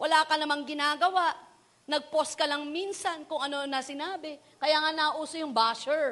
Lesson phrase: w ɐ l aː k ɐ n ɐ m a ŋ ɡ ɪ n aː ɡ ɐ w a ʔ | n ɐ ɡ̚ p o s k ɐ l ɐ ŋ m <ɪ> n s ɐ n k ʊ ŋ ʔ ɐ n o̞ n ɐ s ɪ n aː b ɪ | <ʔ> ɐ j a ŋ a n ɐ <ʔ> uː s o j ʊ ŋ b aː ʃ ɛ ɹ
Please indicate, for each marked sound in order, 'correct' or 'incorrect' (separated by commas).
incorrect, incorrect, correct